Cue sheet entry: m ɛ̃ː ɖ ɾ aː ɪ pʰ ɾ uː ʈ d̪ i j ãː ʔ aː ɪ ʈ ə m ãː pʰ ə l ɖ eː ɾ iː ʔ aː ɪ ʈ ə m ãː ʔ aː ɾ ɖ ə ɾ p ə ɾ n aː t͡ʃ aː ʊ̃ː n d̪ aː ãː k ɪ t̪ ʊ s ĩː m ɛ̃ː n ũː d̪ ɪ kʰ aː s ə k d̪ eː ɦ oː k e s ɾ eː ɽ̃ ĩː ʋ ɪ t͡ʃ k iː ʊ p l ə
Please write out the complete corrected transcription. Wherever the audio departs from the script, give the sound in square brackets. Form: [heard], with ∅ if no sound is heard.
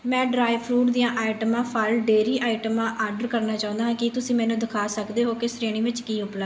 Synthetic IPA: m ɛ̃ː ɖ ɾ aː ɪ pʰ ɾ uː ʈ d̪ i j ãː ʔ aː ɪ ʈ ə m ãː pʰ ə l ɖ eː ɾ iː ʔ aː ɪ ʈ ə m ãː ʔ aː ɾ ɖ ə ɾ [k] ə ɾ n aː t͡ʃ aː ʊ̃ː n d̪ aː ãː k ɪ t̪ ʊ s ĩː m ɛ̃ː n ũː d̪ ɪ kʰ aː s ə k d̪ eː ɦ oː k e s ɾ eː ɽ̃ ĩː ʋ ɪ t͡ʃ k iː ʊ p l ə

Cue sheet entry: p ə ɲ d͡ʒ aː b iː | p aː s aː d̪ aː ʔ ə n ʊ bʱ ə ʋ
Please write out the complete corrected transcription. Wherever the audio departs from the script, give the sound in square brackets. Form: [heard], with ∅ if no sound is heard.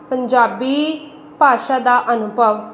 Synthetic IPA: p ə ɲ d͡ʒ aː b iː | p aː [ʃ] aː d̪ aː ʔ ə n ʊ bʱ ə ʋ

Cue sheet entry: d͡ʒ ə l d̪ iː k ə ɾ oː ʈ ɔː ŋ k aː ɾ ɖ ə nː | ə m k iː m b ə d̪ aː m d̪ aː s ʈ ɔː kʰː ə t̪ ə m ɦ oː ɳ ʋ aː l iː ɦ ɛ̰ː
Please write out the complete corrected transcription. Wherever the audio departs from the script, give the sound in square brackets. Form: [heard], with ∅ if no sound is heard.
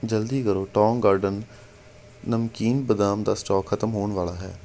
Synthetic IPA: d͡ʒ ə l d̪ iː k ə ɾ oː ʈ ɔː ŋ [ɡ] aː ɾ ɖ ə nː | ə m k iː [n] b ə d̪ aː m d̪ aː s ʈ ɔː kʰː ə t̪ ə m ɦ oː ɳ ʋ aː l [aː] ɦ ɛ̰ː

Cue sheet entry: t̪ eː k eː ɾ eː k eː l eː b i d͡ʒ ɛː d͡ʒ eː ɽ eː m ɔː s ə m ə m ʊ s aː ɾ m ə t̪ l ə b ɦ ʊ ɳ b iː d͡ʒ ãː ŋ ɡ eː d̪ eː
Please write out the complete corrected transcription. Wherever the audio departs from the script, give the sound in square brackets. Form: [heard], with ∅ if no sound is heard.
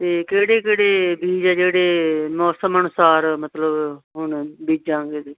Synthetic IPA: t̪ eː k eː [ɽ] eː k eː [ɽ] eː b [iː] d͡ʒ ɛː d͡ʒ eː ɽ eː m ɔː s ə m ə [n] ʊ s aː ɾ m ə t̪ l ə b ɦ ʊ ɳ b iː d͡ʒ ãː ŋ ɡ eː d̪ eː

